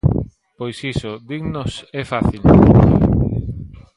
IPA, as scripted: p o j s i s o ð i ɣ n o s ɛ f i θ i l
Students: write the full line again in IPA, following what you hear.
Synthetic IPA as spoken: p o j s i s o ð i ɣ n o s ɛ f a θ i l